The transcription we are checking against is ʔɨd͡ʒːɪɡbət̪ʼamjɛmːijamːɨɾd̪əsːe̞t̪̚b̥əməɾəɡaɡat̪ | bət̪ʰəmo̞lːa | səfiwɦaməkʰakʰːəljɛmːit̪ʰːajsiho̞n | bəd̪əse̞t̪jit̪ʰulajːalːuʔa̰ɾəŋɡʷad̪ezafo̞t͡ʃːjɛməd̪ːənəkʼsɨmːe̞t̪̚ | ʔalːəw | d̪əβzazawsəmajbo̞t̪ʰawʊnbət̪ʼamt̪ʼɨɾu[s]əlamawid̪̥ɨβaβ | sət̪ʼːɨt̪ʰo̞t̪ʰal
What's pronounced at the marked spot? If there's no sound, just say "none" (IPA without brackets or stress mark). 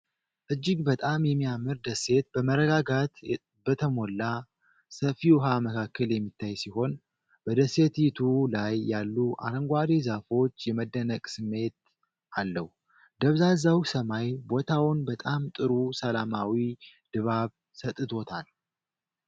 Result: s